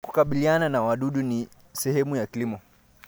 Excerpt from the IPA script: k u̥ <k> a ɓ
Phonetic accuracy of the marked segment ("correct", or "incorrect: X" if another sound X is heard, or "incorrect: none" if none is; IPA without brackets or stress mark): correct